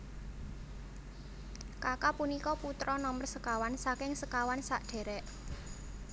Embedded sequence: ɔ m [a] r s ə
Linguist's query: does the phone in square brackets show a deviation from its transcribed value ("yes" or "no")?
yes